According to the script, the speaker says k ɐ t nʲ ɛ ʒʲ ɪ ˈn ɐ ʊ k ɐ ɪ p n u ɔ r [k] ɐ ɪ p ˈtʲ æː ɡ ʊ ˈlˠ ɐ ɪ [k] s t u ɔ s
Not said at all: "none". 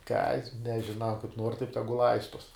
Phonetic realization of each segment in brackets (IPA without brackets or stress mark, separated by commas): t, none